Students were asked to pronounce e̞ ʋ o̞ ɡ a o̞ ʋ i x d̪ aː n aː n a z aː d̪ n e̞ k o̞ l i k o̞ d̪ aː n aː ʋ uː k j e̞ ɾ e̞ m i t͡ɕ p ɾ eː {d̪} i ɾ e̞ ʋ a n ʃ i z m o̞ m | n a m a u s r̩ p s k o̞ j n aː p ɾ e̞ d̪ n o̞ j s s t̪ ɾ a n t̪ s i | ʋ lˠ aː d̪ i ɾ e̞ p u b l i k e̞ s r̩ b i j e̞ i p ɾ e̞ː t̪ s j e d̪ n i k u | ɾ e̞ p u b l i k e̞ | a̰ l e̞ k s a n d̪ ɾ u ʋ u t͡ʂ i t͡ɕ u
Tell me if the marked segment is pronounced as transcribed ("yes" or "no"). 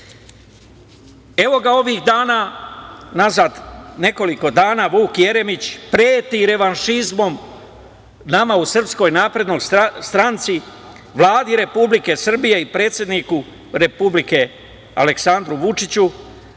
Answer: no